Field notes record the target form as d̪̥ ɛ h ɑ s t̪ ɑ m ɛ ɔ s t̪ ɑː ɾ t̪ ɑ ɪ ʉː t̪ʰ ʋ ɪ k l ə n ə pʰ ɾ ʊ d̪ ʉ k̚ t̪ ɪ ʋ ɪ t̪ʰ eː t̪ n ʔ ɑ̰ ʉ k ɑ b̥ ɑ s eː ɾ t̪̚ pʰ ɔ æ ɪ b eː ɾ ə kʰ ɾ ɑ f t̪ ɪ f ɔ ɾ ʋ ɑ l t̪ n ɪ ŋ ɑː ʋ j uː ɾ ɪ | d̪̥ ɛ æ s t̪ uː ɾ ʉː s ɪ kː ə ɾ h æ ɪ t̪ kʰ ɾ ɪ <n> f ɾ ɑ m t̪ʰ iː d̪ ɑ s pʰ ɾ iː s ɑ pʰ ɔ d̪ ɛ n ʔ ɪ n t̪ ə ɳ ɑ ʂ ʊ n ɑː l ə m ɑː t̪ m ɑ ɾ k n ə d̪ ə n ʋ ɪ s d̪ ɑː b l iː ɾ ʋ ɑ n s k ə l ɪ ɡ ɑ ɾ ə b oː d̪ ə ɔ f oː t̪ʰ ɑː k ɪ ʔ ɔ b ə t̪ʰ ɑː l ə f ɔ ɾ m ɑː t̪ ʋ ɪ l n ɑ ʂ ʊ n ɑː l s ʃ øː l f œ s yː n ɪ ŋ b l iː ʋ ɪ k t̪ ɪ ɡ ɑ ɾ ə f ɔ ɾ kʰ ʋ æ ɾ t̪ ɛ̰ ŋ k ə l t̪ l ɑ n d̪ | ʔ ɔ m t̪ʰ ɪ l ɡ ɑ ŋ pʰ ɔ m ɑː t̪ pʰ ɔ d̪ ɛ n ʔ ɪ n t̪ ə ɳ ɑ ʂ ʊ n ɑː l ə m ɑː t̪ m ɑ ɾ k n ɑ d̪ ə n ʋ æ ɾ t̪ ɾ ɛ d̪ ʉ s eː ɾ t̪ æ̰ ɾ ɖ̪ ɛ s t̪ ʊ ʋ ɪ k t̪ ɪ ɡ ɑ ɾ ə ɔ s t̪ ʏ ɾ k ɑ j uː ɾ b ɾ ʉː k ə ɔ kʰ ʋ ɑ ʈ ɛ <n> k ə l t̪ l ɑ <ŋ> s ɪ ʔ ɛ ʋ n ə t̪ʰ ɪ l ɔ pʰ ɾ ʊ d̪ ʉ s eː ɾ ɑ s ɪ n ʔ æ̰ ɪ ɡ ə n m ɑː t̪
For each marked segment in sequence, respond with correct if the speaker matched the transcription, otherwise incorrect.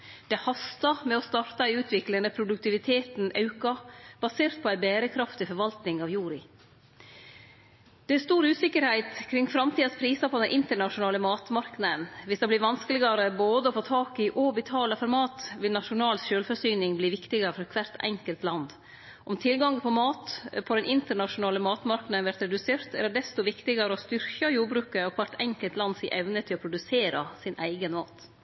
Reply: incorrect, incorrect, incorrect

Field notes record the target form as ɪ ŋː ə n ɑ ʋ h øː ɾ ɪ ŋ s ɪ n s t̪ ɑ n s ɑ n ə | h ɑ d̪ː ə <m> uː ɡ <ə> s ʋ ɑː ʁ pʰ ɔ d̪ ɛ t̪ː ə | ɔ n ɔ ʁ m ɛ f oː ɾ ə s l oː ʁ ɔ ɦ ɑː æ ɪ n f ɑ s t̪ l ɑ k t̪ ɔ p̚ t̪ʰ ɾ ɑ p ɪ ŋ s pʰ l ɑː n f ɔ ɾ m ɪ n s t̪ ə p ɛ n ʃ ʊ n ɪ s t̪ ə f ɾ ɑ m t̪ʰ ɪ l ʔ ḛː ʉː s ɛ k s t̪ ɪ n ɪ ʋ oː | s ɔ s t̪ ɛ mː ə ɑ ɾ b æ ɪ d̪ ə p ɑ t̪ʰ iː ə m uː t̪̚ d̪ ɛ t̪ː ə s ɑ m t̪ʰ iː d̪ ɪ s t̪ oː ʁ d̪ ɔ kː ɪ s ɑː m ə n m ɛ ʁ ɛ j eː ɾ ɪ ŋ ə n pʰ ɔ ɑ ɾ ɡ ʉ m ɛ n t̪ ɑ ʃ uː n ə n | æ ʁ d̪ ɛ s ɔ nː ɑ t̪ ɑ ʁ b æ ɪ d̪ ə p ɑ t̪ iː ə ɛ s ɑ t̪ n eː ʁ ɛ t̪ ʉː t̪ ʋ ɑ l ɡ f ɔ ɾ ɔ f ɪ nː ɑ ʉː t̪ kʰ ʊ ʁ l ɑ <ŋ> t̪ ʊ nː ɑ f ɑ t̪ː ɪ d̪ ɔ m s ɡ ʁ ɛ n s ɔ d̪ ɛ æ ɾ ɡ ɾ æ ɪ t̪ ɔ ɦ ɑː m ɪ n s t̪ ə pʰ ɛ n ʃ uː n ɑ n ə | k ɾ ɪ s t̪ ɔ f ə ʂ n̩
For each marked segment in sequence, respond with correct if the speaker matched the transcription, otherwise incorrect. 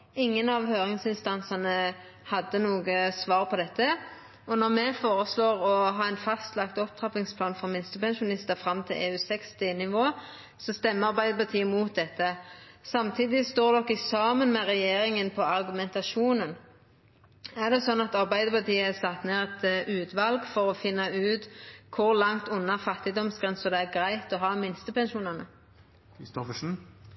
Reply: incorrect, correct, correct

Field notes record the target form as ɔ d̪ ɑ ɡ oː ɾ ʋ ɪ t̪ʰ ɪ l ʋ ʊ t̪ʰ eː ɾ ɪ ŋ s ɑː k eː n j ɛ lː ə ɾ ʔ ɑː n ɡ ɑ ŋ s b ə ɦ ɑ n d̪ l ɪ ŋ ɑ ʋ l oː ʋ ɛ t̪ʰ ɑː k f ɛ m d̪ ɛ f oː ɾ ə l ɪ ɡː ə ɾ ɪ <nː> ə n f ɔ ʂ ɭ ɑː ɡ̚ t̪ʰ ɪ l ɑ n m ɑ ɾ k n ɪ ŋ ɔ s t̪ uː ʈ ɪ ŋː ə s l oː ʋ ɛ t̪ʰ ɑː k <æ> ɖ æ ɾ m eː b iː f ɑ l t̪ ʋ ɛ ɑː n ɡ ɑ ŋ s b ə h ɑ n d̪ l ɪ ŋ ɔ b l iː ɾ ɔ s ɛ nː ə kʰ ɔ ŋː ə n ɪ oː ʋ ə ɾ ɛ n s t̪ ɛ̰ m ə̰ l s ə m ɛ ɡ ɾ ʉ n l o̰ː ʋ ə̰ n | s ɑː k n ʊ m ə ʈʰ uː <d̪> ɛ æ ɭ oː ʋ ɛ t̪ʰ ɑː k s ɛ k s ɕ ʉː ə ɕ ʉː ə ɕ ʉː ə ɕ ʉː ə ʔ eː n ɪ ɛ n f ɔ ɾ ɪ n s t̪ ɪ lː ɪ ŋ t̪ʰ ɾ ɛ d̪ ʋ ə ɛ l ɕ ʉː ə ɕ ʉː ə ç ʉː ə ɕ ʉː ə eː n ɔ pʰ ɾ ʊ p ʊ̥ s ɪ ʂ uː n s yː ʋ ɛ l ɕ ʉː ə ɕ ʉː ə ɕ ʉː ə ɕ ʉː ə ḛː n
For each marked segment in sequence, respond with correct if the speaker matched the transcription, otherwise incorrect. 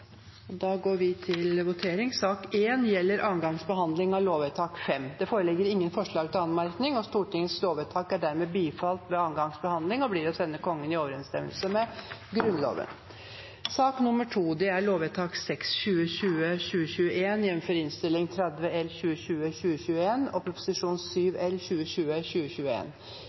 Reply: incorrect, correct, correct

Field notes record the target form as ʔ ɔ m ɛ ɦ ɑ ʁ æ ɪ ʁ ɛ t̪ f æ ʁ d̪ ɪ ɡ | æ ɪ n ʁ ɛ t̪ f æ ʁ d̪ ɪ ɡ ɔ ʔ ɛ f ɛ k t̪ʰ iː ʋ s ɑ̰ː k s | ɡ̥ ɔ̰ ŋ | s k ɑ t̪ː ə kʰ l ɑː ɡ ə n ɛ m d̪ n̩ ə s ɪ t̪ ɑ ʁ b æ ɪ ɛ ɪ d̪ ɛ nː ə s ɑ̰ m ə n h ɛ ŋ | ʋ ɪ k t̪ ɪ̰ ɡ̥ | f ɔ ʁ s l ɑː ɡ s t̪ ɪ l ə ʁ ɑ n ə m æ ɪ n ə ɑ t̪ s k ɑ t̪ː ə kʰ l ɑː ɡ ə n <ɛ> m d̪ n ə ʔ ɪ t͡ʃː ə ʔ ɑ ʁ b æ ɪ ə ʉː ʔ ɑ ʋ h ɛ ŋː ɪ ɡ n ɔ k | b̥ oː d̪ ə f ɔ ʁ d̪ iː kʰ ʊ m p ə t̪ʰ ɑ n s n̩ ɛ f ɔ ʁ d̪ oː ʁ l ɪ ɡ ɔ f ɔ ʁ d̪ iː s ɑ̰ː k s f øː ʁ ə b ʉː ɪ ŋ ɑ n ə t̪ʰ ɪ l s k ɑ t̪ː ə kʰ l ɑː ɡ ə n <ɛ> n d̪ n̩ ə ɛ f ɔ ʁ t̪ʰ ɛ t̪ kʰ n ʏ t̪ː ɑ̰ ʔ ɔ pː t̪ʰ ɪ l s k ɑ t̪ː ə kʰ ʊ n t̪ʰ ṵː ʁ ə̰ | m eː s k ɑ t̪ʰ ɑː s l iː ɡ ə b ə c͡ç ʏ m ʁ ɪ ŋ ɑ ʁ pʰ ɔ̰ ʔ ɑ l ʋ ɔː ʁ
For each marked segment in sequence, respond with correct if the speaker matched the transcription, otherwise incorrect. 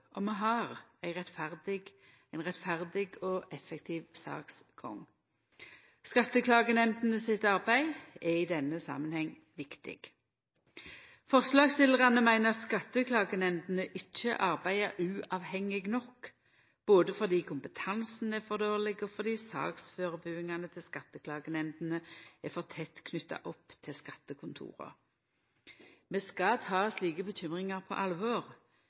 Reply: correct, correct

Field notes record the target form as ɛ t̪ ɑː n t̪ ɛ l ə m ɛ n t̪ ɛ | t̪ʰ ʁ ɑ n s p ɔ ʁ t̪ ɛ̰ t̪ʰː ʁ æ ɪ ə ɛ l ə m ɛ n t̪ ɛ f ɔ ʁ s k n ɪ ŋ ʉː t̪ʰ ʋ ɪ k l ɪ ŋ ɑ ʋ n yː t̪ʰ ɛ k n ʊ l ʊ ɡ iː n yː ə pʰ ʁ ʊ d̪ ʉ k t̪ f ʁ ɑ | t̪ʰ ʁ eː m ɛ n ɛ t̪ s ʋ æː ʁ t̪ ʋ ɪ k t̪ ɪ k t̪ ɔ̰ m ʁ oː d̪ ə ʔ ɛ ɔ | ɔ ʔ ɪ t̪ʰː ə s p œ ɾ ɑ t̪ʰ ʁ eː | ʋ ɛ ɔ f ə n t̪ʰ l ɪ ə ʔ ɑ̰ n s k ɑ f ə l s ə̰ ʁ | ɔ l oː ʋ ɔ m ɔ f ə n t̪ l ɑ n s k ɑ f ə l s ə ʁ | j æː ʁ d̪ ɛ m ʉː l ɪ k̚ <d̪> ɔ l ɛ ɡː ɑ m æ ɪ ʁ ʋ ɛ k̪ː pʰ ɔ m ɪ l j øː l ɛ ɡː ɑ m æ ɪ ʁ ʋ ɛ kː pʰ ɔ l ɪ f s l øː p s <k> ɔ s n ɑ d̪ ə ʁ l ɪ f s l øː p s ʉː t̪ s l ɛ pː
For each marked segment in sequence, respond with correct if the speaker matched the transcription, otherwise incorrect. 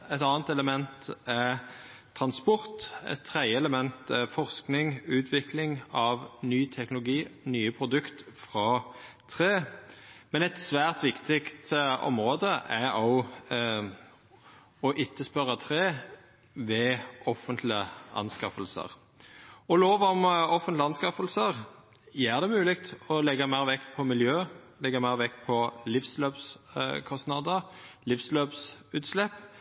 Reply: incorrect, incorrect

